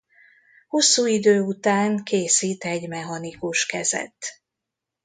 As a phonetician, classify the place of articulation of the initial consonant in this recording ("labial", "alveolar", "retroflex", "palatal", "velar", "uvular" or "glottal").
glottal